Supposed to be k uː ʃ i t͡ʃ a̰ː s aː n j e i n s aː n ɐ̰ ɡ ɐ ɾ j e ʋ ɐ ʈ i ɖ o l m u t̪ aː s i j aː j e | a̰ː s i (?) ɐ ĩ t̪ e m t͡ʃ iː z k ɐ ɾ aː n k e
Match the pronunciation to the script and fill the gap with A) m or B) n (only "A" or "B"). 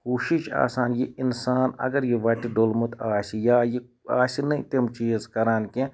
B